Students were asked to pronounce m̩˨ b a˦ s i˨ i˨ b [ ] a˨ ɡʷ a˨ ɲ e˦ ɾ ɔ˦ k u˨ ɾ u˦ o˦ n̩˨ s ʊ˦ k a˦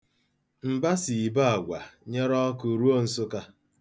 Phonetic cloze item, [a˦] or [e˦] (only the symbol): a˦